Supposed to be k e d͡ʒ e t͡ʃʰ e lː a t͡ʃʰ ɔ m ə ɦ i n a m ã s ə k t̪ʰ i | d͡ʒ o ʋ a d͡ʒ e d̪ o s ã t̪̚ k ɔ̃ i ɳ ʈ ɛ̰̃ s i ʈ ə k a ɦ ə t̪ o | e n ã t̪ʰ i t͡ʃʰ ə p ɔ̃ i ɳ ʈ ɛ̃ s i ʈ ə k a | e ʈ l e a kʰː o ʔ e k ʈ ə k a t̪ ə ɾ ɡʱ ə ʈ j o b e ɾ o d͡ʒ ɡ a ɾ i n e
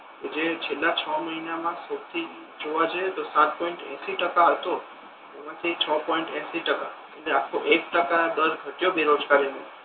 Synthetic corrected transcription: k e d͡ʒ e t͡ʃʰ e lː a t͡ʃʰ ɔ m ə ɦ i n a m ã s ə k t̪ʰ i | d͡ʒ o ʋ a d͡ʒ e t̪ o s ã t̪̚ p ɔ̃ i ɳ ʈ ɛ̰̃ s i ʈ ə k a ɦ ə t̪ o | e m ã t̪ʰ i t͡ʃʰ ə p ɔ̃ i ɳ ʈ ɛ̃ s i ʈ ə k a | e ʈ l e a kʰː o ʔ e k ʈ ə k a d̪ ə ɾ ɡʱ ə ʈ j o b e ɾ o d͡ʒ ɡ a ɾ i n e

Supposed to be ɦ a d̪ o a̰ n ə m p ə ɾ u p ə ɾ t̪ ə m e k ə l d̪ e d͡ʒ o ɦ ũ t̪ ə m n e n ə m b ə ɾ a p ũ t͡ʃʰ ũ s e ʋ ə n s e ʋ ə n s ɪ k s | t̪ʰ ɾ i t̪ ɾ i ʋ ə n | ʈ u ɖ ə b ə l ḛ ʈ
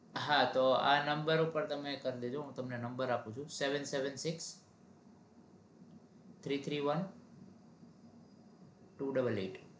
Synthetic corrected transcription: ɦ a t̪ o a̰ n ə m b ə ɾ u p ə ɾ t̪ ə m e k ə ɾ d̪ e d͡ʒ o ɦ ũ t̪ ə m n e n ə m b ə ɾ a p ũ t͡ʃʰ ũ s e ʋ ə n s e ʋ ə n s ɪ k s | t̪ʰ ɾ i t̪ʰ ɾ i ʋ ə n | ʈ u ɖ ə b ə l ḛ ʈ

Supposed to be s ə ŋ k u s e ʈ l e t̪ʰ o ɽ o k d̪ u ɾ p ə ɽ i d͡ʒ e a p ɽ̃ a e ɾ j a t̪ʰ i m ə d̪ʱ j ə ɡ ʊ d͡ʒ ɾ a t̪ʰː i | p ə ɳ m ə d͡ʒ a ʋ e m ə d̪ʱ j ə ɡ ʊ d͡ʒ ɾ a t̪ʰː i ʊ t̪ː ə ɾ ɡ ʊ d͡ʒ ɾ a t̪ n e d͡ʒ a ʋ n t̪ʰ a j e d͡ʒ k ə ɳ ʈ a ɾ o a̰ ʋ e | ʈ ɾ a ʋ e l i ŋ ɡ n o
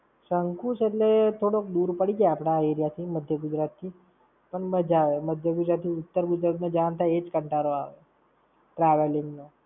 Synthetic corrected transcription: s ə ŋ k u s e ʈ l e t̪ʰ o ɽ o k d̪ u ɾ p ə ɽ i d͡ʒ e a p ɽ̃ a e ɾ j a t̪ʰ i m ə d̪ʱ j ə ɡ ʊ d͡ʒ ɾ a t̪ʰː i | p ə ɳ m ə d͡ʒ a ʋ e m ə d̪ʱ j ə ɡ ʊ d͡ʒ ɾ a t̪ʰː i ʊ t̪ː ə ɾ ɡ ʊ d͡ʒ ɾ a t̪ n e d͡ʒ a n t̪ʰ a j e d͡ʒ k ə ɳ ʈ a ɾ o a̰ ʋ e | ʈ ɾ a ʋ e l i ŋ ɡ n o

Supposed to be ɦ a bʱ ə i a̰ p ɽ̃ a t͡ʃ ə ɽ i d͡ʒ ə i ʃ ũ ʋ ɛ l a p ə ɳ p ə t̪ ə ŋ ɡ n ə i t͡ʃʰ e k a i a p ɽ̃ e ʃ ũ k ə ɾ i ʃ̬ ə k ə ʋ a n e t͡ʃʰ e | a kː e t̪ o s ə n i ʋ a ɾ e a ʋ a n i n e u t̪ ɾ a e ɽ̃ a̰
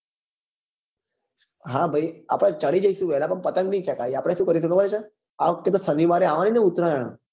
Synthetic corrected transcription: ɦ a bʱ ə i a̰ p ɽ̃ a t͡ʃ ə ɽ i d͡ʒ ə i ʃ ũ ʋ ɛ l a p ə ɳ p ə t̪ ə ŋ ɡ n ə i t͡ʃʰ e k a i a p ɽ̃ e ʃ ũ k ə ɾ i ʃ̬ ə k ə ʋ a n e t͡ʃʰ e | a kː e t̪ o s ə n i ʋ a ɾ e a ʋ a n i n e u t̪ ɾ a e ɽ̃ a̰

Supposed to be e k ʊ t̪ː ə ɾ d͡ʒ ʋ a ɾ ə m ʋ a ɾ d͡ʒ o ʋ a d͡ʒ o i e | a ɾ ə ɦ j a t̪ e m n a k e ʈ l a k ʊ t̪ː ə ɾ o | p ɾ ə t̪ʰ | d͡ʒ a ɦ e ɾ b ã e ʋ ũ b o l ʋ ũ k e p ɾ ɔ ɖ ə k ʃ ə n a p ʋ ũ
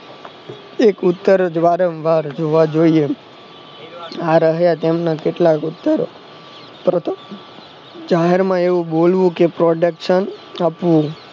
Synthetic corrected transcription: e k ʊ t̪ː ə ɾ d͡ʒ ʋ a ɾ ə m ʋ a ɾ d͡ʒ o ʋ a d͡ʒ o i e | a ɾ ə ɦ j a t̪ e m n a k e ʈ l a k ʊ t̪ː ə ɾ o | p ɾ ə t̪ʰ | d͡ʒ a ɦ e ɾ m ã e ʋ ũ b o l ʋ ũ k e p ɾ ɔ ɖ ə k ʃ ə n a p ʋ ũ

